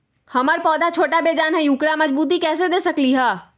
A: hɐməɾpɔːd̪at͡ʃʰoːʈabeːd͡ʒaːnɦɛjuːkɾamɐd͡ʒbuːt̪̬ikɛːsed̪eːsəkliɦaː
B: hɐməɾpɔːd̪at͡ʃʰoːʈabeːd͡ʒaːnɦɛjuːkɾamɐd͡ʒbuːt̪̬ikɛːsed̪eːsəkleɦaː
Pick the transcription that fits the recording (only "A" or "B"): A